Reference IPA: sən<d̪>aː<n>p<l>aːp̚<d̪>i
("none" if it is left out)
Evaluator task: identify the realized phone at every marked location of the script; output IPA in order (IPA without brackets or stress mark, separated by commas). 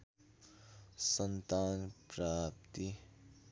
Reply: t̪, n, ɾ, t̪